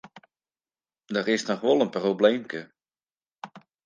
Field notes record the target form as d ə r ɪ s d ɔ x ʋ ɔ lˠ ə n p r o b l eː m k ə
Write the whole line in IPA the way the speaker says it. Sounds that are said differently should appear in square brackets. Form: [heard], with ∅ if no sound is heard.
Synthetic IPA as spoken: d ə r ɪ s [n] ɔ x ʋ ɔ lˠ ə n p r o b l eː m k ə